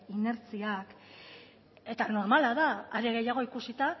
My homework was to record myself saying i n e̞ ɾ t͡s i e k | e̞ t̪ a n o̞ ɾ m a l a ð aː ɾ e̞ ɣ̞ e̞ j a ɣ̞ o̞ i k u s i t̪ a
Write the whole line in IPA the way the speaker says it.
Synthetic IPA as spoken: i n e̞ ɾ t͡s i a k | e̞ t̪ a n o̞ ɾ m a l a ð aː ɾ e̞ ɣ̞ e̞ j a ɣ̞ o̞ i k u s i t̪ a